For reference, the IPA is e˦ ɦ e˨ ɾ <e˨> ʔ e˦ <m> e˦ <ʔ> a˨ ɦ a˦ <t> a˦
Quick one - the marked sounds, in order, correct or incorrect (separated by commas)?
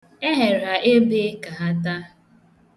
incorrect, incorrect, incorrect, correct